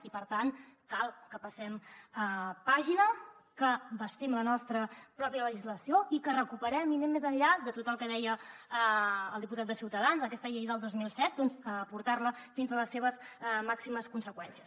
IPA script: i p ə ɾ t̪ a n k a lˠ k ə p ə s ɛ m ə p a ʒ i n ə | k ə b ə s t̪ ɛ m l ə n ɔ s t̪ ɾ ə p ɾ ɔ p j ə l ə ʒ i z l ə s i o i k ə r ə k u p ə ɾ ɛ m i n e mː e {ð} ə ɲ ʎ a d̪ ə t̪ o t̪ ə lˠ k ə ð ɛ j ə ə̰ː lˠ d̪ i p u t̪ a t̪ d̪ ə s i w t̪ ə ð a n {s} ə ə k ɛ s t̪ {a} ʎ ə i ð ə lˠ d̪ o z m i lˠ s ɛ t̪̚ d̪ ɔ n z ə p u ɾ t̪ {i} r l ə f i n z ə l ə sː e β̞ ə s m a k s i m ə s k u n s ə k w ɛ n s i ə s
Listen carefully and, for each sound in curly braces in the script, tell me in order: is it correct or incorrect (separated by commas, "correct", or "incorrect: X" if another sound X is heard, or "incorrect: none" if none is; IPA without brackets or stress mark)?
incorrect: z, incorrect: z, incorrect: ə, incorrect: a